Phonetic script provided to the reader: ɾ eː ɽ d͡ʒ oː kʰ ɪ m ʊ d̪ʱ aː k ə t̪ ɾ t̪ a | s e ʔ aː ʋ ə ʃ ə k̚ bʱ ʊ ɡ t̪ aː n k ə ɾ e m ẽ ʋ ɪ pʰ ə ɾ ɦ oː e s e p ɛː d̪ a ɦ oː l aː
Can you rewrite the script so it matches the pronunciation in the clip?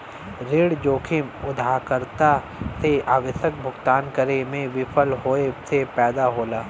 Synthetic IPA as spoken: ɾ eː ɽ d͡ʒ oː kʰ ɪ m ʊ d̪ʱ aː k ə ɾ t̪ a | s e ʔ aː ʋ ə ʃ ə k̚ bʱ ʊ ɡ t̪ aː n k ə ɾ e m ẽ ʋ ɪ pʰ ə l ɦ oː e s e p ɛː d̪ a ɦ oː l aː